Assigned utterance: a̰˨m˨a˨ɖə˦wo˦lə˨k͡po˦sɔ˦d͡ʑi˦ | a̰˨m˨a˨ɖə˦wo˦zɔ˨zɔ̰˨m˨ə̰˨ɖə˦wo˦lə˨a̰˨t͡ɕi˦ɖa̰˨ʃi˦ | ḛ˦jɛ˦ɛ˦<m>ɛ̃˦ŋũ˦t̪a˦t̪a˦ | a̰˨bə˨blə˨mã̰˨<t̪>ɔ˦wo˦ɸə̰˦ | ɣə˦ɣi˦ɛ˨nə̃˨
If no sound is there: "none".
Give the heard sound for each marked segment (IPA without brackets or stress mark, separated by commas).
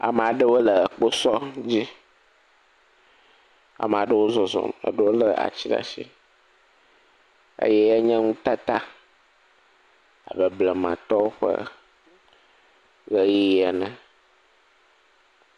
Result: ɲ, t̪